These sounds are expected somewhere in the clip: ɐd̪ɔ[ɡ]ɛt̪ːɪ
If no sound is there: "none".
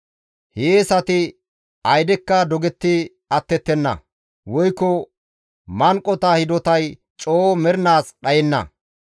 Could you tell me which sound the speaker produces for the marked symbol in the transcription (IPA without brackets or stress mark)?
ɡ